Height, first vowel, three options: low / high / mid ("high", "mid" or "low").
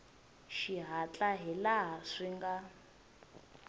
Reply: high